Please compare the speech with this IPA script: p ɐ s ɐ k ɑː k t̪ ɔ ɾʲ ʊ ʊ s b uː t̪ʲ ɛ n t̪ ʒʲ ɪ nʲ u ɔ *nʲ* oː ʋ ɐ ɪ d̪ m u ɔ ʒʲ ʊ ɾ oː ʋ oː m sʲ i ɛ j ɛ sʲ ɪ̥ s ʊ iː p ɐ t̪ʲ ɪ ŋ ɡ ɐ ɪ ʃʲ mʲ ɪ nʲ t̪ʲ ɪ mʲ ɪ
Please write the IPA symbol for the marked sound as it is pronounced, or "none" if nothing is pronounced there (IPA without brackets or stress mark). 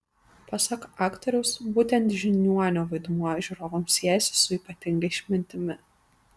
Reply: nʲ